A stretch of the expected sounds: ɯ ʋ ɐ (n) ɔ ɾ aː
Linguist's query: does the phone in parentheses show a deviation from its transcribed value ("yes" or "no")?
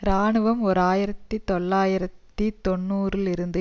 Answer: yes